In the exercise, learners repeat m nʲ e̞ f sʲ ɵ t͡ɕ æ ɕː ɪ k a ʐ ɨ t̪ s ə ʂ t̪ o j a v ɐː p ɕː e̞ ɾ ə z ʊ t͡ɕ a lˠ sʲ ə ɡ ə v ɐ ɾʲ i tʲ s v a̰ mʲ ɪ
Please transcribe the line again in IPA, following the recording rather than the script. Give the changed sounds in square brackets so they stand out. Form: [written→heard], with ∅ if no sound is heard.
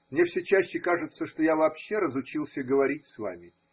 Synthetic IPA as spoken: m nʲ e̞ f sʲ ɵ t͡ɕ æ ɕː ɪ k a ʐ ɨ t̪ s ə ʂ t̪ o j a v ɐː p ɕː e̞ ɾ ə z ʊ t͡ɕ [a→i] lˠ sʲ ə ɡ ə v ɐ ɾʲ i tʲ s v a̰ mʲ ɪ

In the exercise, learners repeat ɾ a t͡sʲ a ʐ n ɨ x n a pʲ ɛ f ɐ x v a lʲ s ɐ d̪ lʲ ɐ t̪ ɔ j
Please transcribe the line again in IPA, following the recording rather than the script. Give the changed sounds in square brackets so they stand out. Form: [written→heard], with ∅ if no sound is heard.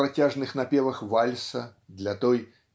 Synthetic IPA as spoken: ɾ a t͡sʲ a ʐ n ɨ x n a pʲ ɛ [f→v] ɐ x v a lʲ s ɐ d̪ lʲ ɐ t̪ ɔ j

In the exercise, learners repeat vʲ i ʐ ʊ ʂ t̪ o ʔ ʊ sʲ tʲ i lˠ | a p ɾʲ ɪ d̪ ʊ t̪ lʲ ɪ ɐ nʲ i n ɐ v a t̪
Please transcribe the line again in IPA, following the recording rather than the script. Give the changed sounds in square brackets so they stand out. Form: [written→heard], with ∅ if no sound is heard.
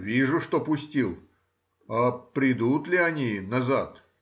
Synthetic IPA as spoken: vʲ i ʐ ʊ ʂ t̪ o [ʔ→p] ʊ sʲ tʲ i lˠ | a p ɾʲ ɪ d̪ [ʊ→u] t̪ lʲ ɪ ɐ nʲ i n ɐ [v→z] a t̪

